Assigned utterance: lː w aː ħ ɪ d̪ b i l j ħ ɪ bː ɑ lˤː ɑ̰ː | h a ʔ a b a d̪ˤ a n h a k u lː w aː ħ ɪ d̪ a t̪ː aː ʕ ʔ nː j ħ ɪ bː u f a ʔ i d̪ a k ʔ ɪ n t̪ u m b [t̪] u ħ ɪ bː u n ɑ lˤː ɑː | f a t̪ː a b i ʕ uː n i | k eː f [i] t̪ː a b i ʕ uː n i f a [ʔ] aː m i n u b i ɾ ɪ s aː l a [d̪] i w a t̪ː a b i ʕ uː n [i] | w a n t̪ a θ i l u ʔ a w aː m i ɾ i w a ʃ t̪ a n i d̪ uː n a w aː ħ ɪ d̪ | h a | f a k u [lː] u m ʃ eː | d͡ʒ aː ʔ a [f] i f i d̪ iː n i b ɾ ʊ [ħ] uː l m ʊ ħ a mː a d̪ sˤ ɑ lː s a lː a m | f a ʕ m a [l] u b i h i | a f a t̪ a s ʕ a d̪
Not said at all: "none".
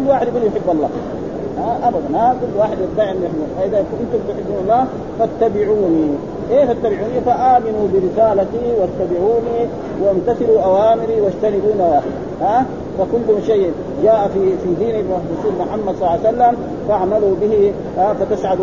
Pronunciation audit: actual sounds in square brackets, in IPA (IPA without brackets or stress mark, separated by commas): t̪, a, ʔ, t̪, i, lː, f, s, l